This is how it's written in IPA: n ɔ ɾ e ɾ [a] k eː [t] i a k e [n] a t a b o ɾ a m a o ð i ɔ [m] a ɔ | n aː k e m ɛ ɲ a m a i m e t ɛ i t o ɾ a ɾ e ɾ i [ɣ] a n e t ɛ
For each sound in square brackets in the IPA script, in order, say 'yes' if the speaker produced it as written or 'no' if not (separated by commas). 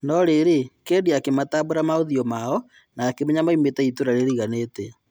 no, no, no, yes, yes